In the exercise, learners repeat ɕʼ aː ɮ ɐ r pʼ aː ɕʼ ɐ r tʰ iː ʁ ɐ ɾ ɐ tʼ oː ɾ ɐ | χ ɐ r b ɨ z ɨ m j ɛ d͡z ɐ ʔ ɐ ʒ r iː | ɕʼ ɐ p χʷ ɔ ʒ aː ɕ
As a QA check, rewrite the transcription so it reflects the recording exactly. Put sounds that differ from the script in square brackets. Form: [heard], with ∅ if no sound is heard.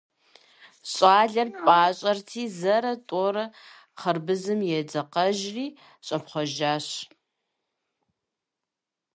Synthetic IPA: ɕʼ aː ɮ ɐ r pʼ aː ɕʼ ɐ r tʰ iː [z] ɐ ɾ ɐ tʼ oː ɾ ɐ | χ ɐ r b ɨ z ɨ m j ɛ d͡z ɐ [q] ɐ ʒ r iː | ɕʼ ɐ p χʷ ɔ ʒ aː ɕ

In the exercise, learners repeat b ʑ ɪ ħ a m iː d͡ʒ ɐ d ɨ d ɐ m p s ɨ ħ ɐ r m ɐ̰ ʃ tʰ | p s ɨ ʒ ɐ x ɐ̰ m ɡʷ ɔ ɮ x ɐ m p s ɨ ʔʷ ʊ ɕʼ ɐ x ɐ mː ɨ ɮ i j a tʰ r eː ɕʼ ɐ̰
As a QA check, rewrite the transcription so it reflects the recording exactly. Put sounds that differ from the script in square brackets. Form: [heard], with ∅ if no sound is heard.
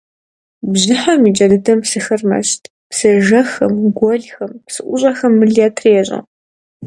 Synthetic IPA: b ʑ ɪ ħ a m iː d͡ʒ ɐ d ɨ d ɐ m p s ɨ [x] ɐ r m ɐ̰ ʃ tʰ | p s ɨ ʒ ɐ x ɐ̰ m ɡʷ ɔ ɮ x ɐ m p s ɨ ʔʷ ʊ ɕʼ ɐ x ɐ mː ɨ ɮ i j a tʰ r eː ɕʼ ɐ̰

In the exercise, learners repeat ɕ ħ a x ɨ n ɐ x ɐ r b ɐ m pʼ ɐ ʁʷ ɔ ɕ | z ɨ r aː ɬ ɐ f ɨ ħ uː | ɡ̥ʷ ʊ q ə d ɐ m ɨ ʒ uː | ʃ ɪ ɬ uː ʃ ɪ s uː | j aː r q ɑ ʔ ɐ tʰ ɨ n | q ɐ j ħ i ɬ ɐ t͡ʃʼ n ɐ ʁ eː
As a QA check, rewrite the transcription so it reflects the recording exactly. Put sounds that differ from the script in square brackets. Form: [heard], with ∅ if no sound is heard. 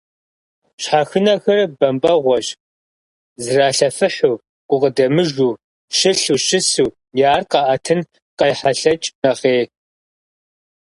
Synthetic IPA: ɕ ħ a x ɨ n ɐ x ɐ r b ɐ m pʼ ɐ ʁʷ ɔ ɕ | z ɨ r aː ɬ ɐ f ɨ ħ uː | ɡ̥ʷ ʊ q ə d ɐ m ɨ ʒ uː | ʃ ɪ ɬ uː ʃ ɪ s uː | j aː r q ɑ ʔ ɐ tʰ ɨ n | q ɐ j ħ [a] ɬ ɐ t͡ʃʼ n ɐ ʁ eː

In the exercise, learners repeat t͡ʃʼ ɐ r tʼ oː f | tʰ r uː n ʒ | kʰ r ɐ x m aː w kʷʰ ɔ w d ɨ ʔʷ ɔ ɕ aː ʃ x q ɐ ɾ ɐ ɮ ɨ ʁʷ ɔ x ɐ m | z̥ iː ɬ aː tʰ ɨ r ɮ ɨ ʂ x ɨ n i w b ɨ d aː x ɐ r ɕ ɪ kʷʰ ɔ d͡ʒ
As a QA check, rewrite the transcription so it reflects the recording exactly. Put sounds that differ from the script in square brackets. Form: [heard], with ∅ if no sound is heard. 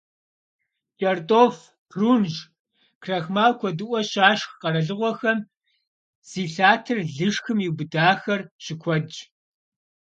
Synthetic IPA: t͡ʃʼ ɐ r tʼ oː f | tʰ r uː n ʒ | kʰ r ɐ x m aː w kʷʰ ɔ [∅] d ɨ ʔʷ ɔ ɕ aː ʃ x q ɐ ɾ ɐ ɮ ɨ ʁʷ ɔ x ɐ m | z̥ iː ɬ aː tʰ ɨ r ɮ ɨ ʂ x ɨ [m] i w b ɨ d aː x ɐ r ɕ ɪ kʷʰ ɔ d͡ʒ

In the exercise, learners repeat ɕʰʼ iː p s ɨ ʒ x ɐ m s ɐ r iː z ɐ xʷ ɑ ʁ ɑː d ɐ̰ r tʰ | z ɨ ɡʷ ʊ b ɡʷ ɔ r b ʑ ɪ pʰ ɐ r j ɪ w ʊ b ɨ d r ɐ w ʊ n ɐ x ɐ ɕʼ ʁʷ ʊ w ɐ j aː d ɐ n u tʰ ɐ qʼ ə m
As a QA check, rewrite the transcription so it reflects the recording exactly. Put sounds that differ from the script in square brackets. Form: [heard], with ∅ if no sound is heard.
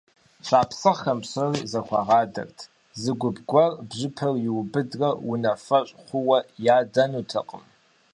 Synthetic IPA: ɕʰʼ [aː] p s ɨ [ʁ] x ɐ m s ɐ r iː z ɐ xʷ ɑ ʁ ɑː d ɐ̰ r tʰ | z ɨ ɡʷ ʊ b ɡʷ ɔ r b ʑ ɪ pʰ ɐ r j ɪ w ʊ b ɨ d r ɐ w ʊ n ɐ [f] ɐ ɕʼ [χʷ] ʊ w ɐ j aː d ɐ n u tʰ ɐ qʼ ə m

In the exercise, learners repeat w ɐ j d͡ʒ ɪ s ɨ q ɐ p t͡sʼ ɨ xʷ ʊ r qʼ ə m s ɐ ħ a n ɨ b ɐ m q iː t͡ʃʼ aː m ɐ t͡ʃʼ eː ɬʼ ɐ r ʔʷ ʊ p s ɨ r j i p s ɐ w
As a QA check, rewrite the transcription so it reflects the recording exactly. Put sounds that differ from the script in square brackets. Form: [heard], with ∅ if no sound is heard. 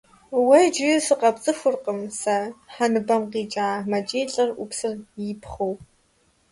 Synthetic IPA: w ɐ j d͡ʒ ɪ s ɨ q ɐ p t͡sʼ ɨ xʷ ʊ r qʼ ə m s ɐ ħ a n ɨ b ɐ m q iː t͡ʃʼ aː m ɐ t͡ʃʼ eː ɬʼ ɐ r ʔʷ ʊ p s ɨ r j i p [χ] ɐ w

